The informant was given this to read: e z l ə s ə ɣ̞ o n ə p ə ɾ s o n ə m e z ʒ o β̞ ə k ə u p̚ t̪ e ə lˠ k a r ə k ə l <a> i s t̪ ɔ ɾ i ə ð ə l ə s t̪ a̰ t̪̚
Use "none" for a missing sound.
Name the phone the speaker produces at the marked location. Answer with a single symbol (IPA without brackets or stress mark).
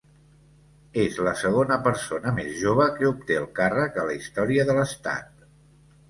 ə